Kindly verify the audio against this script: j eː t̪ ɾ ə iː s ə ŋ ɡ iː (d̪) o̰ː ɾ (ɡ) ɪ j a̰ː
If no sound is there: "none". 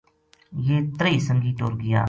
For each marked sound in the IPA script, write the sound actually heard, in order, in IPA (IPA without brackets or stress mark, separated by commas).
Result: t̪, ɡ